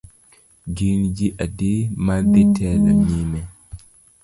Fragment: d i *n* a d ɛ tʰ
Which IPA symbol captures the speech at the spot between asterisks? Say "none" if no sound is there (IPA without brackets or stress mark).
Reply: m